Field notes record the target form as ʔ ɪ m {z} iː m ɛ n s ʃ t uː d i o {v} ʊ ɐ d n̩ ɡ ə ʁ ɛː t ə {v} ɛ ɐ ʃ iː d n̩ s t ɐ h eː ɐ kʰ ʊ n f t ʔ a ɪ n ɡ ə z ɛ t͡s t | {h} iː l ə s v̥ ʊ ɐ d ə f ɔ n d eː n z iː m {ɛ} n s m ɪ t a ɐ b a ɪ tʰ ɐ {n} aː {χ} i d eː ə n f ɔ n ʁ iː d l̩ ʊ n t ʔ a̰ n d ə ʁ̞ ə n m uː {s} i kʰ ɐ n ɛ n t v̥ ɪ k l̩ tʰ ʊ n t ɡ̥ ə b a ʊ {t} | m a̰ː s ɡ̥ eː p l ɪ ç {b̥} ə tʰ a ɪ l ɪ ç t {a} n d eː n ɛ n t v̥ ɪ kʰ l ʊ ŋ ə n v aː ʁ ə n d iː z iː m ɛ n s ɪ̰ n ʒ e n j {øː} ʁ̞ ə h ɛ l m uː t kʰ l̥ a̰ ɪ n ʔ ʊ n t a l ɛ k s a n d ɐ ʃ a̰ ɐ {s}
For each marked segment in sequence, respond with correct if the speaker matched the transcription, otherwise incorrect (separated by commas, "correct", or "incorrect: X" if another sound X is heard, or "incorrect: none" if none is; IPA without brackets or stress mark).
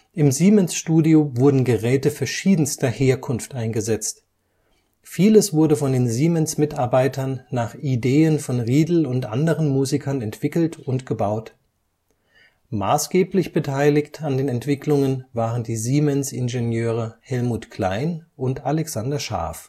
correct, correct, incorrect: f, incorrect: f, correct, incorrect: nː, correct, incorrect: z, correct, correct, correct, correct, incorrect: f